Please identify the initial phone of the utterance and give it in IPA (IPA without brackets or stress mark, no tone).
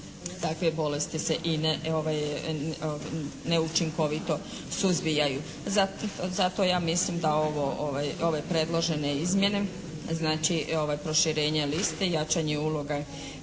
t̪